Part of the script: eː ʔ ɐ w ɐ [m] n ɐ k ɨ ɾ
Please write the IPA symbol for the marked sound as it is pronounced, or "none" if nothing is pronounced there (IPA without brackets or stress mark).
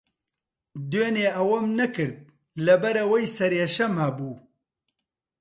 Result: m